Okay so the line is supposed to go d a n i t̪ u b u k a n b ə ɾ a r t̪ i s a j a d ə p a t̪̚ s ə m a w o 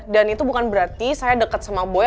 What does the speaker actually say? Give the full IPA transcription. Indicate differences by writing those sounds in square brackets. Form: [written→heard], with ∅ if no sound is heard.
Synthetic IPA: d a n i t̪ u b u k a n b ə ɾ a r t̪ i s a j a d ə [p→k] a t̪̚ s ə m a [w→b] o